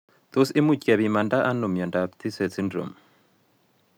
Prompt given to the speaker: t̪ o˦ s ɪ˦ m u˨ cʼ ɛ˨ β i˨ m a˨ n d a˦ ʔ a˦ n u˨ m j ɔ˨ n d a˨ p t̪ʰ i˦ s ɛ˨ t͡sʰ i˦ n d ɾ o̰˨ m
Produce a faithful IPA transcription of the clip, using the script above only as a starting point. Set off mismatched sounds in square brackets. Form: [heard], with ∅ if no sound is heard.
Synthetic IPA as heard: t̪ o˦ s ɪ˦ m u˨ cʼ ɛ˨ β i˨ m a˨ n d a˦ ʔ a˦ n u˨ m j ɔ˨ n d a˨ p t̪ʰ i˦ s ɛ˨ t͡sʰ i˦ n d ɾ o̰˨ m